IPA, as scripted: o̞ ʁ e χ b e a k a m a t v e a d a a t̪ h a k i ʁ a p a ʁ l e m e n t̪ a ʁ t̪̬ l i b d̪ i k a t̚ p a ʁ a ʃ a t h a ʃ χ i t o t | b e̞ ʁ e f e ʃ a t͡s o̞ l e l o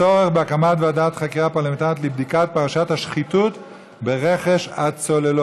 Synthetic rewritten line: o̞ ʁ e χ b e a k a m a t v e a d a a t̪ χ a k i ʁ a p a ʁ l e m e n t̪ a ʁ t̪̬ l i b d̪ i k a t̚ p a ʁ a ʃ a t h a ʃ χ i t u t | b e̞ ʁ e χ e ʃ a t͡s o̞ l e l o